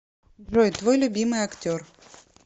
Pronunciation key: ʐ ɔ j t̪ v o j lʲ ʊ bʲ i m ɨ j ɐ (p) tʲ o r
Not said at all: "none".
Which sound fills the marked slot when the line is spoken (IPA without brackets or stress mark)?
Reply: k